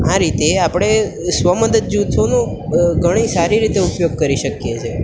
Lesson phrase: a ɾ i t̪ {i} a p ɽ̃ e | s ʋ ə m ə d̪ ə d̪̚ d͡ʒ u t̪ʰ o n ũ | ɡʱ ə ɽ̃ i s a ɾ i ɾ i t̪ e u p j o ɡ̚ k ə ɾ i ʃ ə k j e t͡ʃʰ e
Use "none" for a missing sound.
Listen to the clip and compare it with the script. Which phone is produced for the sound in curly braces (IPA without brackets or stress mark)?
e